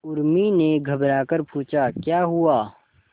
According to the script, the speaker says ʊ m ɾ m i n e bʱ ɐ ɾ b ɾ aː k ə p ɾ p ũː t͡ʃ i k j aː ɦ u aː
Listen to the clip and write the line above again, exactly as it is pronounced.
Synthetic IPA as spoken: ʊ ɾ m i n e ɡʱ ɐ b ɾ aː k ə ɾ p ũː t͡ʃ a k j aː ɦ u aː